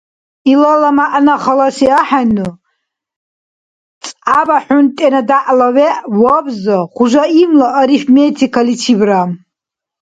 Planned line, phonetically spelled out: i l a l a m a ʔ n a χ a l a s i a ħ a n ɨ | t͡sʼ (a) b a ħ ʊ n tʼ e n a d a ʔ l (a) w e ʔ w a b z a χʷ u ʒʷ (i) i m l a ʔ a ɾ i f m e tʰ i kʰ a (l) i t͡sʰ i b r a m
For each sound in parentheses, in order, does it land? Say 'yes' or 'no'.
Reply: yes, yes, no, yes

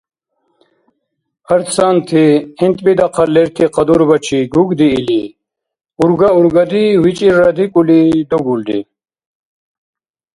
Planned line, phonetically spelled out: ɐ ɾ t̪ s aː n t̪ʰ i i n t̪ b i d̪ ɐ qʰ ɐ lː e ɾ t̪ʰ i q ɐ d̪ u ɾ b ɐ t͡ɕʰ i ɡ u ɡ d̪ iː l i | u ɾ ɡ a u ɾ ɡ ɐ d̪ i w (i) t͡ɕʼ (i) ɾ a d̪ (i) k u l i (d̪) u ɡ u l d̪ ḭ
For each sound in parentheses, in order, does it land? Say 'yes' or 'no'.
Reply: yes, yes, yes, yes

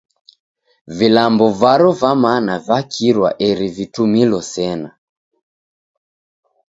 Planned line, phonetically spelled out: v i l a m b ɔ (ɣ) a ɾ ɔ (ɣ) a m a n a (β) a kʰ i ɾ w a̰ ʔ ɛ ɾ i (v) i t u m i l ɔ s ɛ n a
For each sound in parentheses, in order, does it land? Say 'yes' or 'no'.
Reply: no, no, no, yes

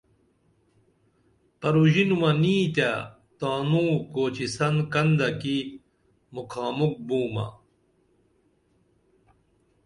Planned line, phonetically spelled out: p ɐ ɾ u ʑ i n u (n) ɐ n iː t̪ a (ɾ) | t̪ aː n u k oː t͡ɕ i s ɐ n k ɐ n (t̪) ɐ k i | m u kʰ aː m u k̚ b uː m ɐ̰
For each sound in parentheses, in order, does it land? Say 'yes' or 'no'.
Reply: no, no, no

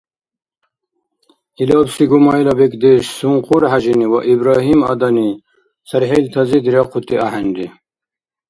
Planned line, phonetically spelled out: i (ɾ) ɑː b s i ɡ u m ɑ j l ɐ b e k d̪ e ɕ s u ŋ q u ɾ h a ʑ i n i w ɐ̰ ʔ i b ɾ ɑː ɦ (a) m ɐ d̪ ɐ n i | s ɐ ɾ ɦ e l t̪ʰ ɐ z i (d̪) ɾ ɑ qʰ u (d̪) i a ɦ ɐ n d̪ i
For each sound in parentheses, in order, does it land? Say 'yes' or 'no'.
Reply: no, no, yes, no

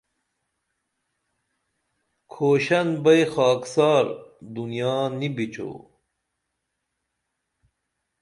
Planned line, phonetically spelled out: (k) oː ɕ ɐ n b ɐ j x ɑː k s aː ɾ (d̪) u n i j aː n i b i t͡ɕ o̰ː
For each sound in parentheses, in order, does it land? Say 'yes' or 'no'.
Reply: no, yes

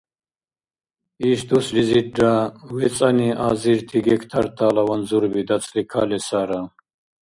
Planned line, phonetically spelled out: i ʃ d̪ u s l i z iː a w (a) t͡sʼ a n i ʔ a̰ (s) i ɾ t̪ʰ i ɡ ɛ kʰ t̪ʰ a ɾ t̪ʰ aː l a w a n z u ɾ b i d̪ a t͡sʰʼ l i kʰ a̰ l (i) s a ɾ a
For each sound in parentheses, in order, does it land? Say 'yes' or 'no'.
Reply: no, no, no

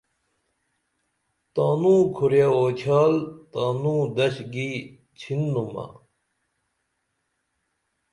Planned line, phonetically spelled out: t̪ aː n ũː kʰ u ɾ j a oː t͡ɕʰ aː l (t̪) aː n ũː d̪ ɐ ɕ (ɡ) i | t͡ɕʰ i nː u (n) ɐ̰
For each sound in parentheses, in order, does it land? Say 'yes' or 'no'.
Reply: yes, yes, no

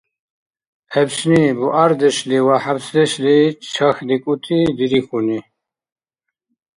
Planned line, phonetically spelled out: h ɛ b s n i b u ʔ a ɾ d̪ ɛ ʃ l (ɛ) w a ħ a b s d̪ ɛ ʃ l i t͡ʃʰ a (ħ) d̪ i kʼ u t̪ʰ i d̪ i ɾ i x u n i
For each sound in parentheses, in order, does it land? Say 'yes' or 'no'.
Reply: no, no

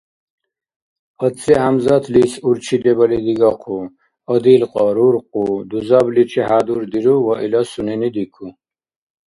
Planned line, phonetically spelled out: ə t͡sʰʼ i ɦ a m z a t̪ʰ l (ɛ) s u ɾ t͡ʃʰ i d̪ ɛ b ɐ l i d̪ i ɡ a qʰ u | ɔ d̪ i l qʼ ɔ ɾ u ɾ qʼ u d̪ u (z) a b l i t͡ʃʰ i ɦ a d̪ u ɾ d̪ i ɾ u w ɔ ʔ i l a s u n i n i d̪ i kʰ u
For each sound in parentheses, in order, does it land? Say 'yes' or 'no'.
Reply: no, yes

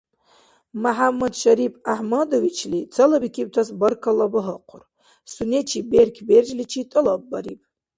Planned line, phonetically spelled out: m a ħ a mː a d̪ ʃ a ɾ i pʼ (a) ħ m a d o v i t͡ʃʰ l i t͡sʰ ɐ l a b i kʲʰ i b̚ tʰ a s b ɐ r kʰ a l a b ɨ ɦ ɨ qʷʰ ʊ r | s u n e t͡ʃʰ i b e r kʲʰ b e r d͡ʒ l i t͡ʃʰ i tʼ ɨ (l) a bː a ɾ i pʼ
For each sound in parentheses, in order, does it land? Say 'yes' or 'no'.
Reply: yes, yes

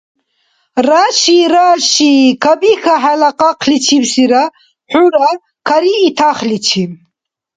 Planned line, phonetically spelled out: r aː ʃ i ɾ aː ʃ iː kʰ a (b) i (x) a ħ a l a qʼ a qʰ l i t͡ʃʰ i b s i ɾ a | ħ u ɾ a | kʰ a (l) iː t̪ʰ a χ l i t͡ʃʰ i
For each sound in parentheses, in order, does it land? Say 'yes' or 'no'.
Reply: yes, yes, no

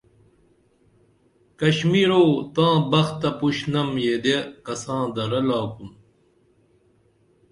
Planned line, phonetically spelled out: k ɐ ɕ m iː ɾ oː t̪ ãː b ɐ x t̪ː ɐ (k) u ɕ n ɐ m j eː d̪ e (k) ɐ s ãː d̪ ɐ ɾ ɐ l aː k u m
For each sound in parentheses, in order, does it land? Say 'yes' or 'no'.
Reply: no, yes

